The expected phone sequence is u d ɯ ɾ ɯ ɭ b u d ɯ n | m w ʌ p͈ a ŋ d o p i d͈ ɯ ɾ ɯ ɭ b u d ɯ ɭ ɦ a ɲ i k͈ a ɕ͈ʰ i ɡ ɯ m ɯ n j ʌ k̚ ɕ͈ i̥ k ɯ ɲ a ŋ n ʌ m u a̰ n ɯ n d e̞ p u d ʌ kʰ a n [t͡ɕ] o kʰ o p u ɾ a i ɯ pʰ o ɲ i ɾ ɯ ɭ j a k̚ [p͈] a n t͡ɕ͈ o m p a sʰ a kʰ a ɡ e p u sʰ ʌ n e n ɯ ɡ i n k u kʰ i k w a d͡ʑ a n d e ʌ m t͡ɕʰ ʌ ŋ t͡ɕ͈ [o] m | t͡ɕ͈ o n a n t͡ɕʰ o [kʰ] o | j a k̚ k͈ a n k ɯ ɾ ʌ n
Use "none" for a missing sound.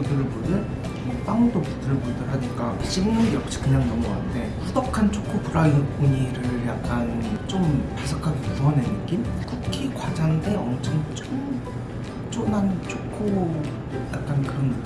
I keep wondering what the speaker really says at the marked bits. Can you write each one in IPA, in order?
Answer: t͡ɕʰ, k͈, o, kʰ

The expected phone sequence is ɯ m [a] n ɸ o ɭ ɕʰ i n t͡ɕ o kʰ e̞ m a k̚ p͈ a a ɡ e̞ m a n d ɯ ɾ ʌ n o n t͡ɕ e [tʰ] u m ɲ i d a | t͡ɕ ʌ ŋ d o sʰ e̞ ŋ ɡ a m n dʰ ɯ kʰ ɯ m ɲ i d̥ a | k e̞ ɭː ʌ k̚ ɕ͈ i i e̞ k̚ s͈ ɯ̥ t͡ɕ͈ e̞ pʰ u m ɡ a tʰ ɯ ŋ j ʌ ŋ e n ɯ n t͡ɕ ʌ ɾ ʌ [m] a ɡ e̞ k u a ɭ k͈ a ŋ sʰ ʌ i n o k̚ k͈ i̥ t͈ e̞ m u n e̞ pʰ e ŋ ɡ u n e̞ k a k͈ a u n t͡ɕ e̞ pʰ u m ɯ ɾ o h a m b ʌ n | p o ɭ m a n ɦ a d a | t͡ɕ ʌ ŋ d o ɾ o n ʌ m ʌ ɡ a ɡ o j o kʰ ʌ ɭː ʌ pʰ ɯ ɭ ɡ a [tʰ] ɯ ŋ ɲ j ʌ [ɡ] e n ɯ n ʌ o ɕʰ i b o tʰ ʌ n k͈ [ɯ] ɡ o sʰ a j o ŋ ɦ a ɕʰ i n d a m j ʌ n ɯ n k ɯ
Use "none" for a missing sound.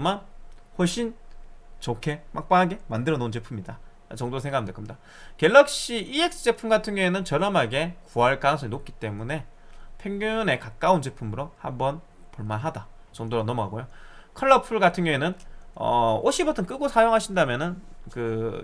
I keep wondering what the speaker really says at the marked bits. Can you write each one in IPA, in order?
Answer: a, pʰ, m, tʰ, ŋ, ɯ

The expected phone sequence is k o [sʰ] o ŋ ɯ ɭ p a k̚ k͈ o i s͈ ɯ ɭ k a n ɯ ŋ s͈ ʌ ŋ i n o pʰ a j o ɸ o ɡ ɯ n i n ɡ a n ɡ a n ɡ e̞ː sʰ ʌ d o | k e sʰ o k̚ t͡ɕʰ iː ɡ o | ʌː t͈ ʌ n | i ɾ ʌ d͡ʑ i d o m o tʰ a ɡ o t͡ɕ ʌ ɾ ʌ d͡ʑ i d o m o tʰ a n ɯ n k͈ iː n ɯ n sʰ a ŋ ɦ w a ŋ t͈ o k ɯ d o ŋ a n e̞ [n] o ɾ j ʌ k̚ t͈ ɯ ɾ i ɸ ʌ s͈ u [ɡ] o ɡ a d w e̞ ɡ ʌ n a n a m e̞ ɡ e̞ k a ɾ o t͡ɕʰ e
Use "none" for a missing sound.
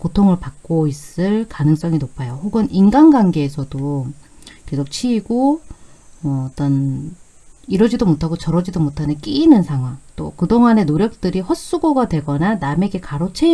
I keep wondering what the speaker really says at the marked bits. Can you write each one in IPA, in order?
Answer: tʰ, n, ɡ

